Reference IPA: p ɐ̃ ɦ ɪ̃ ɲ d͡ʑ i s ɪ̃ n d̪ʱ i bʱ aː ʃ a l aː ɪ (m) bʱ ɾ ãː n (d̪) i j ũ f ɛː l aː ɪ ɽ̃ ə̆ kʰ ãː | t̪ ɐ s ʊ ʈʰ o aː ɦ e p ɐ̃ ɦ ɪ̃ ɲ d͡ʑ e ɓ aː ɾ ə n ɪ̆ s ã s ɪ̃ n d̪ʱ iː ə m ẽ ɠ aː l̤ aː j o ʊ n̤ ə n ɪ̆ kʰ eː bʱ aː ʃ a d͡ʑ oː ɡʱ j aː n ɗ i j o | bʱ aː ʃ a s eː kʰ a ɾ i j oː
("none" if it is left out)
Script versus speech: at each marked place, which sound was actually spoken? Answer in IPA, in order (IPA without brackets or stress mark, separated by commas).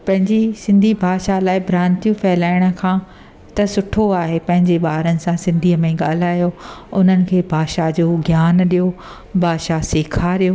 none, t̪